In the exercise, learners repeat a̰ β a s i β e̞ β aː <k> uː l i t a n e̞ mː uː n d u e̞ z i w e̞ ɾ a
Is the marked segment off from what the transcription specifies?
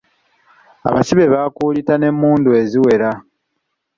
no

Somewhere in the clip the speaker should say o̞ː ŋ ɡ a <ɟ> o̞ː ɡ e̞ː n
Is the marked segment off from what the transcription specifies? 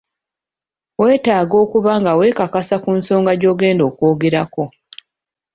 no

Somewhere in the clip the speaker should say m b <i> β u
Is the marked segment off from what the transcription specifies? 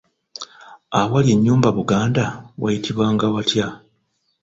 yes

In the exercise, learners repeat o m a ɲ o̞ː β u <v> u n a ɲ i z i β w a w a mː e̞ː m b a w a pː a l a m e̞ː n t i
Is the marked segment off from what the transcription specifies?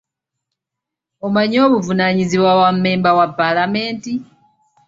no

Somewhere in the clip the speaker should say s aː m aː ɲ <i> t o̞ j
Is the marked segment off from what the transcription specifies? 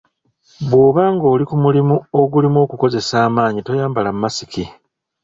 no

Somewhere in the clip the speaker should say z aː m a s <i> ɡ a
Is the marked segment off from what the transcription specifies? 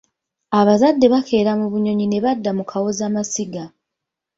no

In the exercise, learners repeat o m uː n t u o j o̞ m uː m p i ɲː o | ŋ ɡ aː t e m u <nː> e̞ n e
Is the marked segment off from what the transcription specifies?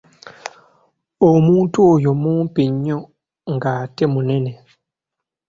yes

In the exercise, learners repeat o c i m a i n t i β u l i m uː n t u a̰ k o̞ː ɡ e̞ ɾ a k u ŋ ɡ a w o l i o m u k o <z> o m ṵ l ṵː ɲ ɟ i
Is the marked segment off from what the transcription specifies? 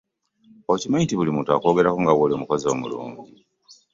no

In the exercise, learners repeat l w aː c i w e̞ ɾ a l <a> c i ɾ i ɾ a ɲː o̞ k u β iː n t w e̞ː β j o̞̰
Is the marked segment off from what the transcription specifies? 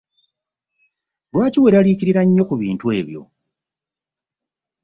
yes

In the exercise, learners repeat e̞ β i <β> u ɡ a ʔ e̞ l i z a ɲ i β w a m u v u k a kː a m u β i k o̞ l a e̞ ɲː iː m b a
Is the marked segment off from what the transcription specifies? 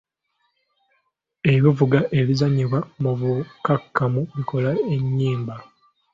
yes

